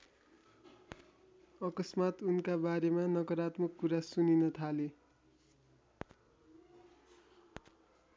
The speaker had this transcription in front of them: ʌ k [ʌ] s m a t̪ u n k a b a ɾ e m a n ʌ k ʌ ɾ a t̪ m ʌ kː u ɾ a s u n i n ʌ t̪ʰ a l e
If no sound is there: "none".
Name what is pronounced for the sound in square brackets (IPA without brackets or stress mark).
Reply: ʌ